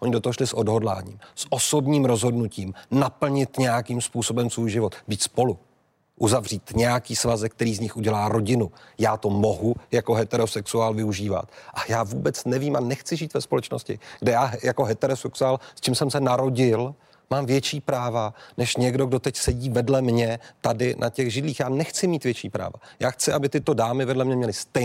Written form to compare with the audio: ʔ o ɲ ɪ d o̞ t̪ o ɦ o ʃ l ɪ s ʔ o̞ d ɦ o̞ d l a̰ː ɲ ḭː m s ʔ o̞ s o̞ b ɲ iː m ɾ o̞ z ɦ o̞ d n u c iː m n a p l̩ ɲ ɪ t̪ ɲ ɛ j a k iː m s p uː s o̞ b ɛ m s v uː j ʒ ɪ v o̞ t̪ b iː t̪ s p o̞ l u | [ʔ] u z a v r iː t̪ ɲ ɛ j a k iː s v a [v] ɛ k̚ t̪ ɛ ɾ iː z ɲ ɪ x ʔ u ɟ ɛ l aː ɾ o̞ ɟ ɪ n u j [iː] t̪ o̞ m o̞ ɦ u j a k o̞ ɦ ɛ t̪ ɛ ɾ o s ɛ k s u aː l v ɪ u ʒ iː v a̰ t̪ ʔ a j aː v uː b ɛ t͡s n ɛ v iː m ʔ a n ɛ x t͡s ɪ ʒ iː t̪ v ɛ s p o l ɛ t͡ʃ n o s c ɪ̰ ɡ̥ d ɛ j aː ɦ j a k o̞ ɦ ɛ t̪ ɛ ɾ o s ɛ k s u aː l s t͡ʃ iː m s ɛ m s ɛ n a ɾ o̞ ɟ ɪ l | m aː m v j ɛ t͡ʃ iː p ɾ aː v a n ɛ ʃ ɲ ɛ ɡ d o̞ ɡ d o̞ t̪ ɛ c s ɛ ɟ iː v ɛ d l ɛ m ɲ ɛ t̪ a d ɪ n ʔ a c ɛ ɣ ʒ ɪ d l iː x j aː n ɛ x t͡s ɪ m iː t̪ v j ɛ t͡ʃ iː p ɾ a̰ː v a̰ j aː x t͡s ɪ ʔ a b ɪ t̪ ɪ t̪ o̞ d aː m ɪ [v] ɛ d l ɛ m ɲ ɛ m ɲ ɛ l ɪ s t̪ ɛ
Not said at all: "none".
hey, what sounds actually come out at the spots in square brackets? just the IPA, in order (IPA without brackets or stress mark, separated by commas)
ʔ, z, aː, v